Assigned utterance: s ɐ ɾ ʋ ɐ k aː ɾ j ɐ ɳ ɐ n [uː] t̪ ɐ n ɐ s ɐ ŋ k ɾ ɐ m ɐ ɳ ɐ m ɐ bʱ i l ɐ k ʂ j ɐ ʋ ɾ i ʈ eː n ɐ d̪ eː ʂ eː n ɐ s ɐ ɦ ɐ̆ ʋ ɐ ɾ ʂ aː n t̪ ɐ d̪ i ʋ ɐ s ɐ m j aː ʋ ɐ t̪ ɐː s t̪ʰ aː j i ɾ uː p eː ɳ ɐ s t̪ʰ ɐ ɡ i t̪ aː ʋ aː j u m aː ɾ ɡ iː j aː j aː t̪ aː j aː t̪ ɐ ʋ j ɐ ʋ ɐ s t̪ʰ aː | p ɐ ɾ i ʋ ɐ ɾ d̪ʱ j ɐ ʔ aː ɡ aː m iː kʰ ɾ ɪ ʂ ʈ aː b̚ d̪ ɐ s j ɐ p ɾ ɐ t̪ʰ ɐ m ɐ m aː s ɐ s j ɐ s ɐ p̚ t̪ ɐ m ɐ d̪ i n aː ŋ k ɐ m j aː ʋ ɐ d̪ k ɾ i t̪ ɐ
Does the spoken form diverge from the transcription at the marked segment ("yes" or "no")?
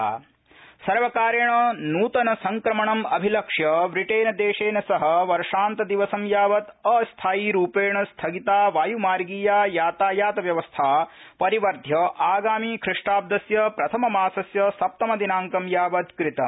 no